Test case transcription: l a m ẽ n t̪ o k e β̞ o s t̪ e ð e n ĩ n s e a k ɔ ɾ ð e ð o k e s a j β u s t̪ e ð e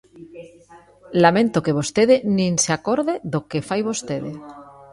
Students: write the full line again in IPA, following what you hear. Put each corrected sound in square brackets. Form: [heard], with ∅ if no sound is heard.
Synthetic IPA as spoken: l a m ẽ n t̪ o k e β̞ o s t̪ e ð e n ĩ n s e a k [o] ɾ ð e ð o k e [f] a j β [o] s t̪ e ð e